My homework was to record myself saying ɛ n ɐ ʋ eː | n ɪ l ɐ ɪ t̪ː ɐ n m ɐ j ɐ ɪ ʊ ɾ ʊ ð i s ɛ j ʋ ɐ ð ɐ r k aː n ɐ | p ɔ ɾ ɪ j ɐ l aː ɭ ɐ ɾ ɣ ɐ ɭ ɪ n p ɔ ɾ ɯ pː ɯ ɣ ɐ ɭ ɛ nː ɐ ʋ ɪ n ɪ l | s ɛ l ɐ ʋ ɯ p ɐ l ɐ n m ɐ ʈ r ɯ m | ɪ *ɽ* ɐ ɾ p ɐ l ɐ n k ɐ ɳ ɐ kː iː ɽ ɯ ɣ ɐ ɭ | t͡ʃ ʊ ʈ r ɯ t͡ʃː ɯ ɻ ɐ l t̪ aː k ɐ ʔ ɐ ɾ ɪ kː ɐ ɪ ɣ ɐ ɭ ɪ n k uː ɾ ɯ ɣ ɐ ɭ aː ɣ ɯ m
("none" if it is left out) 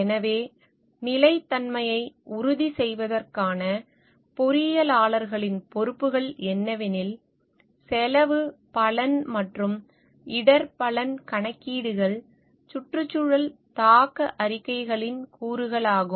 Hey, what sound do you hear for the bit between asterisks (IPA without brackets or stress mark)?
ɽ